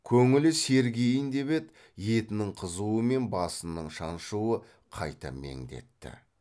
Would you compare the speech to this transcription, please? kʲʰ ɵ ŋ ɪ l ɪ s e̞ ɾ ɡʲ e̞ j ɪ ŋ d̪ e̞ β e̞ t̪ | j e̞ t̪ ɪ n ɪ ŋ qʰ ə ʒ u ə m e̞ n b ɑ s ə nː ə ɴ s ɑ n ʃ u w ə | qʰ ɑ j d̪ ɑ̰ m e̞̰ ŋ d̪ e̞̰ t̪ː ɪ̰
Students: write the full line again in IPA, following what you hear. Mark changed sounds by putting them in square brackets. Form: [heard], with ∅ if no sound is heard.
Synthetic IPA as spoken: kʲʰ ɵ ŋ ɪ l ɪ s e̞ ɾ ɡʲ e̞ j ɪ [n] d̪ e̞ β e̞ t̪ | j e̞ t̪ ɪ n ɪ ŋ qʰ ə [z] u ə m e̞ n b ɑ s ə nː ə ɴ [ʃ] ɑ n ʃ u w ə | qʰ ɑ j [t̪] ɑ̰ m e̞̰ ŋ d̪ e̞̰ t̪ː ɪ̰